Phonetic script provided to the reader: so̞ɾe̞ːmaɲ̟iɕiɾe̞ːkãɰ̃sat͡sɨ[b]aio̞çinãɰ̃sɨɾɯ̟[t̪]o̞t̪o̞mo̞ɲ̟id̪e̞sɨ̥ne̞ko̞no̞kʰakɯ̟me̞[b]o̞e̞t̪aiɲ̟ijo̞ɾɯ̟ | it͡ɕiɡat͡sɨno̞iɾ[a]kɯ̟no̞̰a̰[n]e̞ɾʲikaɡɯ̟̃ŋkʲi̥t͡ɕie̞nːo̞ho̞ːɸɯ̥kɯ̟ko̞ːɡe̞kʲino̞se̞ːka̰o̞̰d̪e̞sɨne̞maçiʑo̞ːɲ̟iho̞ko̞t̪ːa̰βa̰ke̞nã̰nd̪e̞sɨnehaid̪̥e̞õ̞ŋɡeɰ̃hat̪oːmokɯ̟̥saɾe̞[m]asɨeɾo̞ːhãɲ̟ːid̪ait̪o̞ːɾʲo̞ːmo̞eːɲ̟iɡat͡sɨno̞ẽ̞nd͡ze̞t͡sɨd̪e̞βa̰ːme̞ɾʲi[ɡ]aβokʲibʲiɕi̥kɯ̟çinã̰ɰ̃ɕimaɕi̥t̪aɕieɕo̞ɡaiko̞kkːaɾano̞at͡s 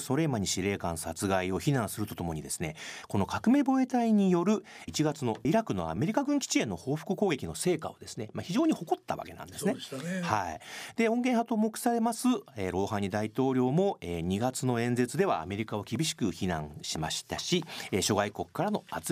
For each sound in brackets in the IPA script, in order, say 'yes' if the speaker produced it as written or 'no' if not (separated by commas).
no, yes, yes, yes, no, yes, no